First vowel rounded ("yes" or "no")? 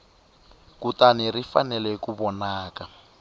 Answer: yes